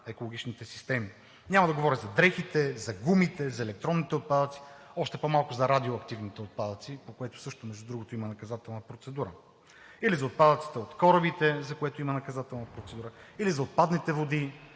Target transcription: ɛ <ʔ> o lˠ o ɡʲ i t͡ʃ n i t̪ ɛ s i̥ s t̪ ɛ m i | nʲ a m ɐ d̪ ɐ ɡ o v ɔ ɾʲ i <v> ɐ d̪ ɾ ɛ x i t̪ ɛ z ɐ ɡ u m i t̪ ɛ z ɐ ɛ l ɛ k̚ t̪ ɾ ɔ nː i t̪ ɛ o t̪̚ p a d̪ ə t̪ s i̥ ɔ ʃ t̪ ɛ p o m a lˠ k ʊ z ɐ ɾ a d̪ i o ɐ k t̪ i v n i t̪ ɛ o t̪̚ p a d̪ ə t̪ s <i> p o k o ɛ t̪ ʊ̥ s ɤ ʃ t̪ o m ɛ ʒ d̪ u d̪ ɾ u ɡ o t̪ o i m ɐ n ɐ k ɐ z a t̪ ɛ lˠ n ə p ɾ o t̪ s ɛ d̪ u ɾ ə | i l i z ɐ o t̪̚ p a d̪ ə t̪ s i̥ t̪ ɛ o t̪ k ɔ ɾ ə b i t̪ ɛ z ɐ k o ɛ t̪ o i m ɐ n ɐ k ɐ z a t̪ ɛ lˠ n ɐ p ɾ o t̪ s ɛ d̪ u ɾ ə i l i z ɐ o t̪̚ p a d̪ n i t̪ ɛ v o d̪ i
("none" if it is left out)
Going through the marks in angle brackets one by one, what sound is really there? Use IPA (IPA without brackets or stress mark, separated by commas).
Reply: k, z, i